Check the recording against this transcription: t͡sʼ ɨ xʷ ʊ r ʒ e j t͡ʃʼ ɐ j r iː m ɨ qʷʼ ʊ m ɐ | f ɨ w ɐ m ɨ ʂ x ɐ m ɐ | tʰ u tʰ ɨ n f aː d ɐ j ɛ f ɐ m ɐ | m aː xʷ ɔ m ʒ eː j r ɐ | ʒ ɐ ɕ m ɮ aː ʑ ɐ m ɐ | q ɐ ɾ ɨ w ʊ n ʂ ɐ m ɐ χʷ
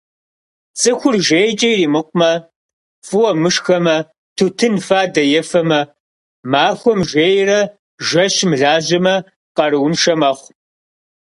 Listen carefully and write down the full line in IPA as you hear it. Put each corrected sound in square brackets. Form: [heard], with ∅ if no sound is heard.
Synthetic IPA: t͡sʼ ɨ xʷ ʊ r ʒ e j t͡ʃʼ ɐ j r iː m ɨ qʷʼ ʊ m ɐ | f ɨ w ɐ m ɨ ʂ x ɐ m ɐ | tʰ u tʰ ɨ n f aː d ɐ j ɛ f ɐ m ɐ | m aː xʷ ɔ m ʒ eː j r ɐ | ʒ ɐ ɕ m ɮ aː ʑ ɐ m ɐ | q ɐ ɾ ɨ w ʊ n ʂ ɐ m ɐ χʷ

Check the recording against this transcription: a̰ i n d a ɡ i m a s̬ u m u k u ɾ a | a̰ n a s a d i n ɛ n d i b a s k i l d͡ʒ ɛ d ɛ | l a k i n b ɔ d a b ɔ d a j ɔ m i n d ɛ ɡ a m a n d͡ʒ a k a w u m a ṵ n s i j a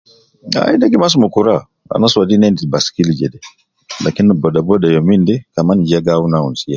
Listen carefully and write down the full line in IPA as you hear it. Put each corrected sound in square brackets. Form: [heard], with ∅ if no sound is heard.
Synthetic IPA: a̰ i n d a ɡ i m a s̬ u m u k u ɾ a | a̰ n a s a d i n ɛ n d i b a s k i l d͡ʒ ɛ d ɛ | l a k i n b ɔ d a b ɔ d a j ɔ m i n d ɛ [k] a m a n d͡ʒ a [ɡ] a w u [n] a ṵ n s i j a

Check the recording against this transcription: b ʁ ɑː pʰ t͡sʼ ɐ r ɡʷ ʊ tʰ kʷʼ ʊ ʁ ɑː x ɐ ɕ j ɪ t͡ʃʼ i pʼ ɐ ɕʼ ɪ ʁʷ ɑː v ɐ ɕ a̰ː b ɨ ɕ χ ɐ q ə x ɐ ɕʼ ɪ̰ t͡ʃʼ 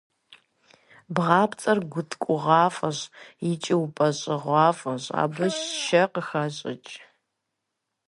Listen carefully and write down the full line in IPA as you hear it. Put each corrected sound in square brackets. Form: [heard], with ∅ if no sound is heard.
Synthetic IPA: b ʁ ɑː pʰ t͡sʼ ɐ r ɡʷ ʊ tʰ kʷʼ ʊ ʁ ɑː [f] ɐ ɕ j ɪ t͡ʃʼ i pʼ ɐ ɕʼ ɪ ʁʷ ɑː [f] ɐ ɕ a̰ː b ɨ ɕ [ʃ] ɐ q ə x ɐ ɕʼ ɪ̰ t͡ʃʼ

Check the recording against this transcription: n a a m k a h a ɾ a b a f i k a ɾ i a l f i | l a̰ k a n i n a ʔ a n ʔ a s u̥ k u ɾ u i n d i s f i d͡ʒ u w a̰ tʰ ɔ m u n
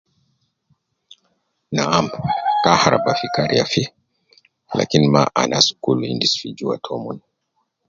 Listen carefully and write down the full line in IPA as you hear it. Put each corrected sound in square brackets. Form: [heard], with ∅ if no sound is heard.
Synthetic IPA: n a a m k a h a ɾ a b a f i k a ɾ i a [∅] f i | l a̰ k [i] n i [m] a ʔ a n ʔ a s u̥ k u [l] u i n d i s f i d͡ʒ u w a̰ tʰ ɔ m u n

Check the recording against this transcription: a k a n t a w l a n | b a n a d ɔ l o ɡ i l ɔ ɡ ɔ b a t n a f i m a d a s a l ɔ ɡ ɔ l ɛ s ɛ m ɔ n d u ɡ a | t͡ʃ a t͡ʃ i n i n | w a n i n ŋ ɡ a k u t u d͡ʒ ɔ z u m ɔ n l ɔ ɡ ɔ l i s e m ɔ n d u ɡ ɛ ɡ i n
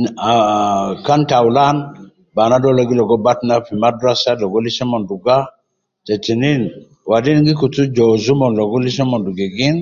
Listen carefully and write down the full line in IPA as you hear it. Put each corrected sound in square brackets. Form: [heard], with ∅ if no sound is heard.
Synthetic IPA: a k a n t a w l a n | b a n a d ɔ l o ɡ i l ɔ ɡ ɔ b a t n a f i m a d a s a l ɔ ɡ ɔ l [i] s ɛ m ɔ n d u ɡ a | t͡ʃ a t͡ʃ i n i n | w a [d] i n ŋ ɡ [i] k u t u d͡ʒ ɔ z u m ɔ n l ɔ ɡ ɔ l i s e m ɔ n d u ɡ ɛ ɡ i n

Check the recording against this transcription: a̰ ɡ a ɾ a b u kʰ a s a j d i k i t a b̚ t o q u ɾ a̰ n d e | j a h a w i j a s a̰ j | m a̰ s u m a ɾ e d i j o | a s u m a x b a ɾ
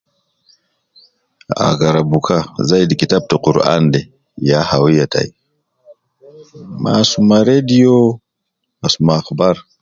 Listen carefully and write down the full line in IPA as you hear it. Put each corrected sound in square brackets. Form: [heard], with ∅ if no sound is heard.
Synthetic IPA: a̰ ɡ a ɾ a b u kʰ a [z] a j d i k i t a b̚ t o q u ɾ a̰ n d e | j a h a w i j a [t] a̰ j | m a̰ s u m a ɾ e d i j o | a s u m a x b a ɾ

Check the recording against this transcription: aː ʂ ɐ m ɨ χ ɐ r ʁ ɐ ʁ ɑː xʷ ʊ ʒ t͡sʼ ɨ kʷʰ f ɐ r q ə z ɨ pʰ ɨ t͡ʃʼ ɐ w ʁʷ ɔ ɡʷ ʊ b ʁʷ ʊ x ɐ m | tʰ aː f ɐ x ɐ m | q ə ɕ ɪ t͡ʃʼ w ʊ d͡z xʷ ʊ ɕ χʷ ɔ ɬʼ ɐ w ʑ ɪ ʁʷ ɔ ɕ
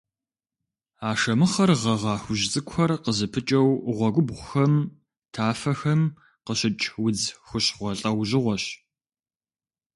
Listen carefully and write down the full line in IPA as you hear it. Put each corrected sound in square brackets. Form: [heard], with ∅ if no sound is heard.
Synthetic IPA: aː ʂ ɐ m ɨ χ ɐ r ʁ ɐ ʁ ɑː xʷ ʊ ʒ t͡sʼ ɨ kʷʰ [x] ɐ r q ə z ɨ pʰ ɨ t͡ʃʼ ɐ w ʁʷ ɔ ɡʷ ʊ b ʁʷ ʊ x ɐ m | tʰ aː f ɐ x ɐ m | q ə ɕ ɪ t͡ʃʼ w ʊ d͡z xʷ ʊ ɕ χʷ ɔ ɬʼ ɐ w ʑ ɪ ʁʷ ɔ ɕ

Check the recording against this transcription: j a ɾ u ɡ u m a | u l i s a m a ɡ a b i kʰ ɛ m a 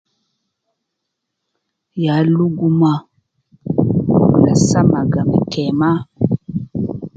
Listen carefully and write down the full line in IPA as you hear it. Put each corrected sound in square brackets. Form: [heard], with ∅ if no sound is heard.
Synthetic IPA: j a [l] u ɡ u m a | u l [a] s a m a ɡ a [m] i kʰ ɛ m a

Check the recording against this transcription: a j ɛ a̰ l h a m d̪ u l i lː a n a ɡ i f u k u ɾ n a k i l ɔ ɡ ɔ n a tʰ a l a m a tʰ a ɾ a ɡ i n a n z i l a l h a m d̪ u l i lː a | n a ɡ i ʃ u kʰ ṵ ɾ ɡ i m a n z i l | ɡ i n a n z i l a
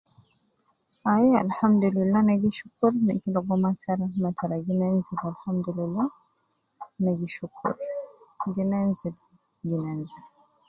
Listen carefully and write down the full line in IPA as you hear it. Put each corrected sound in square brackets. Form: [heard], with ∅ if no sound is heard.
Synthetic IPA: a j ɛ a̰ l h a m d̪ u l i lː a n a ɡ i [ʃ] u k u ɾ n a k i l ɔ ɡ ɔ [m] a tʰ a [ɾ] a m a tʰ a ɾ a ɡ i n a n z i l a l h a m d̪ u l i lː a | n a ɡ i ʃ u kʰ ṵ ɾ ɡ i [n] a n z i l | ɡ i n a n z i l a

